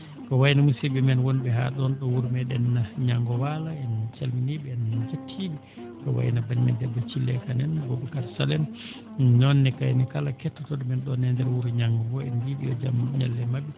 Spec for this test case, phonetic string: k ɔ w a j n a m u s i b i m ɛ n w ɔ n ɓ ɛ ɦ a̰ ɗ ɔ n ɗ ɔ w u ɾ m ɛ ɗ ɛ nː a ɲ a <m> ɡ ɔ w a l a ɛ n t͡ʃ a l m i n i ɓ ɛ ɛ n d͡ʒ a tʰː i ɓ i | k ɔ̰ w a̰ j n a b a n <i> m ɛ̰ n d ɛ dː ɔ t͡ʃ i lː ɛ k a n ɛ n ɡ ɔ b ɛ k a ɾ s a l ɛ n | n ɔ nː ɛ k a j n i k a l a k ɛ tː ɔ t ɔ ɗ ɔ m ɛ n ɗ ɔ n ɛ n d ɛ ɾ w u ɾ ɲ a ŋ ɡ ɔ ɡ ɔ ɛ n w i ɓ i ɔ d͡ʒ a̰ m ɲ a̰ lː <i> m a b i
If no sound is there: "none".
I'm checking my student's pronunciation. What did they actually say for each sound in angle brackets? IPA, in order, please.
ŋ, i, ɛ

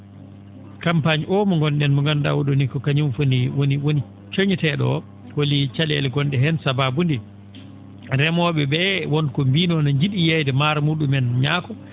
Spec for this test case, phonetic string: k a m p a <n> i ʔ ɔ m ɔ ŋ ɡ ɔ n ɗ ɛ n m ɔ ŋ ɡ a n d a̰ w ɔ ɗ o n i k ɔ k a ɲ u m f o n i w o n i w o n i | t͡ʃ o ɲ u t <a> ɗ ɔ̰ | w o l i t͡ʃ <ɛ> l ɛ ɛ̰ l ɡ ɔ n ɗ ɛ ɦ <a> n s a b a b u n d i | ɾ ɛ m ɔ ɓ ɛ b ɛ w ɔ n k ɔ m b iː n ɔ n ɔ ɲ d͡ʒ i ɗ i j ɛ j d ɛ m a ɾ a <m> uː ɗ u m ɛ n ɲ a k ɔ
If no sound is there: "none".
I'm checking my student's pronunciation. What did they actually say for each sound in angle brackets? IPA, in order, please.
ɲ, ɛ, a, ɛ, m

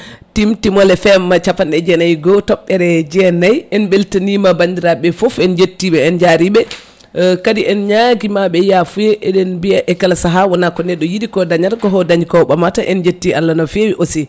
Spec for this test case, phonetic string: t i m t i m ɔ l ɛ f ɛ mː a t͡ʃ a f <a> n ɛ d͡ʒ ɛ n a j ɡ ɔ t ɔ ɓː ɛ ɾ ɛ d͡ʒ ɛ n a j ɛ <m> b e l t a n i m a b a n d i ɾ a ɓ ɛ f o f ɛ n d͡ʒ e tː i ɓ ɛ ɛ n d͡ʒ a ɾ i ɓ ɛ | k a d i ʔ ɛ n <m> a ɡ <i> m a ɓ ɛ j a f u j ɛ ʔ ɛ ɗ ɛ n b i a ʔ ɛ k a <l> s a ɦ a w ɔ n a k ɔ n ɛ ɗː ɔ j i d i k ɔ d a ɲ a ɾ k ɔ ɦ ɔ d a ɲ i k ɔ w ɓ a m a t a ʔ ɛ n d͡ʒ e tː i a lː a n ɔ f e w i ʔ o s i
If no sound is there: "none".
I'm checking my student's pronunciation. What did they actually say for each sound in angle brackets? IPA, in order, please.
a, n, ɲ, i, l

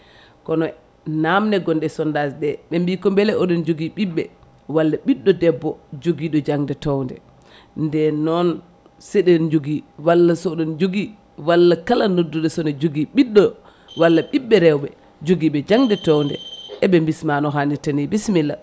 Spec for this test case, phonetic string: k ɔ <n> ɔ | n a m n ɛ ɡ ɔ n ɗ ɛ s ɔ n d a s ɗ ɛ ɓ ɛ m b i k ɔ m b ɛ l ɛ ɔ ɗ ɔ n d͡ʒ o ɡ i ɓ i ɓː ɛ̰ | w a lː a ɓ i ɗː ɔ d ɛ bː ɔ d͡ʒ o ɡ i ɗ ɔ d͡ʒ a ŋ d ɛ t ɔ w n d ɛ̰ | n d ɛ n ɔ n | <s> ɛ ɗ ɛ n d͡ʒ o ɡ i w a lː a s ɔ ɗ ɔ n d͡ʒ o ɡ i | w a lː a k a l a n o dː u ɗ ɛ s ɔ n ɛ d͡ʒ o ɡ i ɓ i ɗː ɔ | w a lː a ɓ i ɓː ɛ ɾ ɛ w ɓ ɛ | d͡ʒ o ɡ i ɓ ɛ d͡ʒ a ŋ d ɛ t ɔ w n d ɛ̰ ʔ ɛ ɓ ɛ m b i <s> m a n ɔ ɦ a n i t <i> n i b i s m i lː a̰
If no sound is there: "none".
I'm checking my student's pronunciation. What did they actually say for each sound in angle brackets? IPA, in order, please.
n, s, s, a

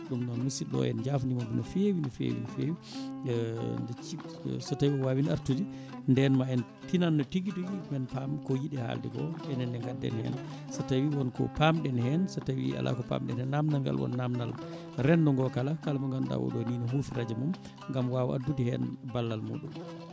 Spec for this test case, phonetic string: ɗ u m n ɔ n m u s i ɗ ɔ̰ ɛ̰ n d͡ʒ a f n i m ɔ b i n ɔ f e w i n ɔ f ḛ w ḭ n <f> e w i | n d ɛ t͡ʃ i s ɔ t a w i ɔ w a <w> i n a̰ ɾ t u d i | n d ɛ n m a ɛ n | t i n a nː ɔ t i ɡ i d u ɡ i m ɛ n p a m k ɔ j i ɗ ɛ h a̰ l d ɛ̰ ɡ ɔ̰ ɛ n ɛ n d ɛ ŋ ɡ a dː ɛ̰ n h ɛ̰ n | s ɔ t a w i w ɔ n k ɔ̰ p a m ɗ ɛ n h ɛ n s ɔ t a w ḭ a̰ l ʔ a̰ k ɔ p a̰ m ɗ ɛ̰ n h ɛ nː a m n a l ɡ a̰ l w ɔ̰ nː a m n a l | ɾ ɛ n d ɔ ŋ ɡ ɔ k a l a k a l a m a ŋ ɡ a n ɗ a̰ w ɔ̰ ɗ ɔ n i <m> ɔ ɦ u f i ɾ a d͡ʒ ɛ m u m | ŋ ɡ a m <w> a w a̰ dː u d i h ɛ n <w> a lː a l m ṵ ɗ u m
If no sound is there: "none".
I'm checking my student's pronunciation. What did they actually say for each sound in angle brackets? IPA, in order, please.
f, w, n, w, b

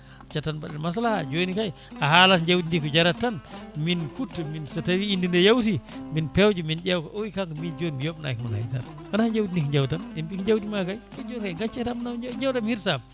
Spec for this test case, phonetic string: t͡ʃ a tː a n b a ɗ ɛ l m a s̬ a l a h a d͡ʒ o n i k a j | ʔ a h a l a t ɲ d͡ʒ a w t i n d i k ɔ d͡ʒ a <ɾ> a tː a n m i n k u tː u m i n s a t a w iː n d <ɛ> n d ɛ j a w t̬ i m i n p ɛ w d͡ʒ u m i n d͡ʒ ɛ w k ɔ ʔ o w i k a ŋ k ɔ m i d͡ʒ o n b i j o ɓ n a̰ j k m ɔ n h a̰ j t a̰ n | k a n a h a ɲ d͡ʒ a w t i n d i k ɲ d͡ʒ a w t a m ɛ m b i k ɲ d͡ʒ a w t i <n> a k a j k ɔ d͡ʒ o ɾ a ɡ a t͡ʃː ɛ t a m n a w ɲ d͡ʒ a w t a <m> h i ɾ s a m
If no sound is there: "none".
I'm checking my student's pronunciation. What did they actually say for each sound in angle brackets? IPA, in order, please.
ɾ, i, m, m

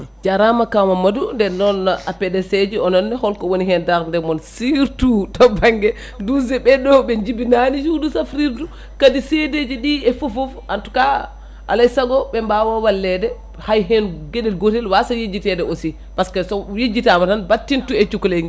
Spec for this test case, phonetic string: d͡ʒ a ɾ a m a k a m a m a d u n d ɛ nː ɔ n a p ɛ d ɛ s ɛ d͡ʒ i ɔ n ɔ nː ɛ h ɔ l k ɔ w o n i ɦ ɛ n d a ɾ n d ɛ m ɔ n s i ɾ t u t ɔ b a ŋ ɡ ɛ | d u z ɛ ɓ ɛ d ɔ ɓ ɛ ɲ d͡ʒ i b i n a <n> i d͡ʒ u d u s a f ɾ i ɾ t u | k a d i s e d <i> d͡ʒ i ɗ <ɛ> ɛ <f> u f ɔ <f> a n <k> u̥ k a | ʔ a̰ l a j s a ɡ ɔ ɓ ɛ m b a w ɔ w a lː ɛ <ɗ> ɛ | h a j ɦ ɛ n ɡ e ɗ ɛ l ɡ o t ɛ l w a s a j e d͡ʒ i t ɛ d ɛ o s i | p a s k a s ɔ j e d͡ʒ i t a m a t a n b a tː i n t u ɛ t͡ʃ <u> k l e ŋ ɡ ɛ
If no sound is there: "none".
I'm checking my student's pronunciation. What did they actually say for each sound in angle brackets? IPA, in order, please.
n, e, i, f, f, t, d, u

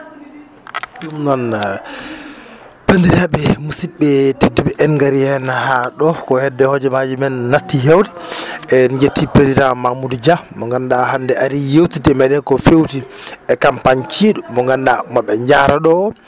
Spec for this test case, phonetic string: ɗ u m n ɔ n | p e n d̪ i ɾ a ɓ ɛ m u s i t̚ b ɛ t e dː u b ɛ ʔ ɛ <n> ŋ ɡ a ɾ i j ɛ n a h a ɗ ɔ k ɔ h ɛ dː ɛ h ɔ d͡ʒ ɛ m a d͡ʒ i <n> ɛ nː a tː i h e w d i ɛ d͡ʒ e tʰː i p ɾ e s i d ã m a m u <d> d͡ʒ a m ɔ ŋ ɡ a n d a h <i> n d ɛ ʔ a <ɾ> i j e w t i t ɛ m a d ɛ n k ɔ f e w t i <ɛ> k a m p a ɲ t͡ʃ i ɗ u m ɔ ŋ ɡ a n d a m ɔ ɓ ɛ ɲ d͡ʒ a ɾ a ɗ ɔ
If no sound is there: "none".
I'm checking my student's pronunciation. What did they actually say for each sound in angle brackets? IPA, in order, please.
n, m, d, a, ɾ, ɛ

